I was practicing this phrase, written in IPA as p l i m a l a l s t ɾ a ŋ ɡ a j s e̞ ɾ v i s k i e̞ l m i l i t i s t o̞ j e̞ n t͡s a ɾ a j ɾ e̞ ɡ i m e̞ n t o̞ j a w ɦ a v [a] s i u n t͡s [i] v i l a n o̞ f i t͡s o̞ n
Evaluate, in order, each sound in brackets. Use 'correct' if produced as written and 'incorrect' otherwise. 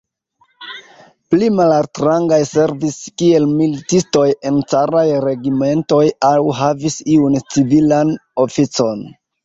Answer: incorrect: i, correct

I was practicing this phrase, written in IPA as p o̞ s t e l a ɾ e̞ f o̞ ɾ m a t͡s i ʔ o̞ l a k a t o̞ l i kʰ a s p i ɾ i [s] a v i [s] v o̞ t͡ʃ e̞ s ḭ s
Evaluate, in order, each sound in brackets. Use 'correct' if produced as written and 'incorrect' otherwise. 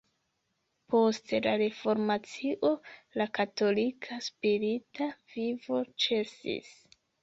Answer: incorrect: t, incorrect: none

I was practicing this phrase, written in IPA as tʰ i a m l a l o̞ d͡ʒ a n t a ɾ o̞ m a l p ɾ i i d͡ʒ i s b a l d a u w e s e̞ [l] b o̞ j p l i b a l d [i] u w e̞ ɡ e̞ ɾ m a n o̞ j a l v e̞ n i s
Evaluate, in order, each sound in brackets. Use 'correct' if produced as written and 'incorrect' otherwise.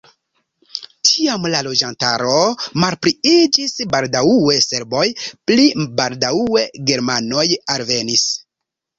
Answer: incorrect: ɾ, incorrect: a

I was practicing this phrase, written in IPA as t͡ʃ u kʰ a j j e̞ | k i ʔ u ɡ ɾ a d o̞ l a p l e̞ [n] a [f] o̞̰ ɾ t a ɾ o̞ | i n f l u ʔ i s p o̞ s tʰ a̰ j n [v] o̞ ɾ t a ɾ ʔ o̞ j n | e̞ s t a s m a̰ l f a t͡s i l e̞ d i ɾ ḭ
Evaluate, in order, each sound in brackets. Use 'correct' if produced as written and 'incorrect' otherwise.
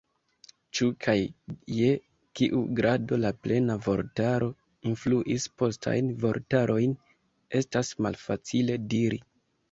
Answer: correct, incorrect: v, correct

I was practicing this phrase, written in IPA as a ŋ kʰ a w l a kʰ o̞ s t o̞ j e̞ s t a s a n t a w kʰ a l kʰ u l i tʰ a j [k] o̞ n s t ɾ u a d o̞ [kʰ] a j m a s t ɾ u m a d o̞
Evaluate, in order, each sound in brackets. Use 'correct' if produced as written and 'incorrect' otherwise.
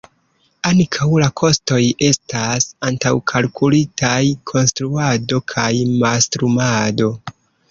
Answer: incorrect: kʰ, correct

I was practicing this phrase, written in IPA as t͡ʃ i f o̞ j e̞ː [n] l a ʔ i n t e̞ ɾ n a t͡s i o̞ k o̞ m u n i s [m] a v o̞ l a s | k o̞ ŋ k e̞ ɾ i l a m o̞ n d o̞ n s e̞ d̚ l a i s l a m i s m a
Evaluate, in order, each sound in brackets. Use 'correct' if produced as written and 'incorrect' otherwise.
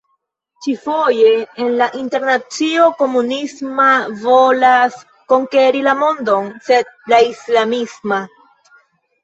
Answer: correct, correct

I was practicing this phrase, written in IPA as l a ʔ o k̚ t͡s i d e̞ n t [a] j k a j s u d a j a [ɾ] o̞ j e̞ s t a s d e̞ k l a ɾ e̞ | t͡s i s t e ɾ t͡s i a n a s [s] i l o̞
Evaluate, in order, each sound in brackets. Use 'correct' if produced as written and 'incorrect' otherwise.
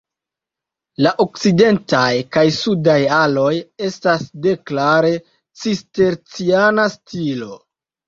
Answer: correct, incorrect: l, incorrect: t

